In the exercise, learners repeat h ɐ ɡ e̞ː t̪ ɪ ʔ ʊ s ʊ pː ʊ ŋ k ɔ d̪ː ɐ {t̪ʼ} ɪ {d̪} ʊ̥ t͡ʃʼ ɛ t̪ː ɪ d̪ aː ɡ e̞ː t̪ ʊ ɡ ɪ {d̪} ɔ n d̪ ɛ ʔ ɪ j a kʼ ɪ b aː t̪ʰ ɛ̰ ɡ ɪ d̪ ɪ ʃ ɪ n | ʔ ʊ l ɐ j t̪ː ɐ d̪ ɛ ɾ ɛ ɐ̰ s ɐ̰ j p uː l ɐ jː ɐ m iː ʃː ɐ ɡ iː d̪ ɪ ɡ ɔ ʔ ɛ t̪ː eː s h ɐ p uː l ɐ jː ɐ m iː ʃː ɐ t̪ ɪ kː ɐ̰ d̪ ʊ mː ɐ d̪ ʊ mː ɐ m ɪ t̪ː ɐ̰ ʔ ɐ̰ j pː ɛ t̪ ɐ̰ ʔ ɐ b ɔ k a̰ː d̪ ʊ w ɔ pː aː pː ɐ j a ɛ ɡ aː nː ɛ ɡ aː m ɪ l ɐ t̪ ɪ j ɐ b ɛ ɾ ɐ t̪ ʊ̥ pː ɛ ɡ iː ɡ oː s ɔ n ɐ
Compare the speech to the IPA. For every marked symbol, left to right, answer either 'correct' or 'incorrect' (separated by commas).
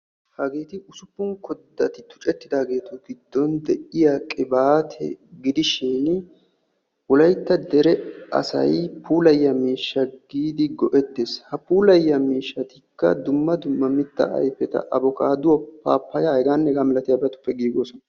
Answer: incorrect, incorrect, incorrect